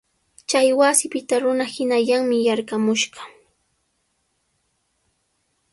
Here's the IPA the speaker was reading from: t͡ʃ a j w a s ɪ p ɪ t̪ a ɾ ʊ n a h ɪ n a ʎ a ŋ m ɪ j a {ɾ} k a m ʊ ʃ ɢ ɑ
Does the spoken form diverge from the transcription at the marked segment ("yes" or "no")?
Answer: no